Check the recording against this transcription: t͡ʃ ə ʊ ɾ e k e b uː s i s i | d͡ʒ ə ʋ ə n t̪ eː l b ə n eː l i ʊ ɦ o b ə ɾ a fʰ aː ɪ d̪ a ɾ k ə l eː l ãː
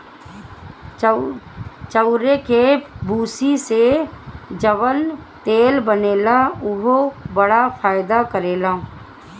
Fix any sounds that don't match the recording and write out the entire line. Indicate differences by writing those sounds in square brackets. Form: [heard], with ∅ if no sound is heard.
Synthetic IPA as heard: t͡ʃ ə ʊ ɾ e k e b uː s i s [e] | d͡ʒ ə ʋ ə n t̪ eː l b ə n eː l [a] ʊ ɦ o b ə [ɽ] a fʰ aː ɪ d̪ a [∅] k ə [ɾ] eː l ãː